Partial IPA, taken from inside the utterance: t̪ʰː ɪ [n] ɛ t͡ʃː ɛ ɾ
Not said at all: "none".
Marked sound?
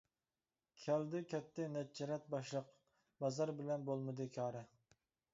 n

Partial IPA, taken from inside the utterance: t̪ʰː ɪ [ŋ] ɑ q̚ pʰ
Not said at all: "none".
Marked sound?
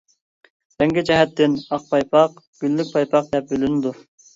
n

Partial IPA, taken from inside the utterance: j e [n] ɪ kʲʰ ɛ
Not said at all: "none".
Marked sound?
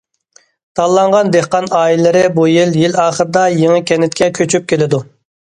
ŋ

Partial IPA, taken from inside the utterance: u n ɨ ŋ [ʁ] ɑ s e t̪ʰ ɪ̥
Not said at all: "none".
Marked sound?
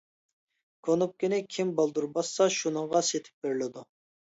ʁ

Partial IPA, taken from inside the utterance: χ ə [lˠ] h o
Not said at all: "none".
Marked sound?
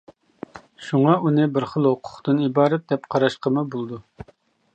lˠ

